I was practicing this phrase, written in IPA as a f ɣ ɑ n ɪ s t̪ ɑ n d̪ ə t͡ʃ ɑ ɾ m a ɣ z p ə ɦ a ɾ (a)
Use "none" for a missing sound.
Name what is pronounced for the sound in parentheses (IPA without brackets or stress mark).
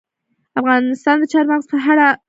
a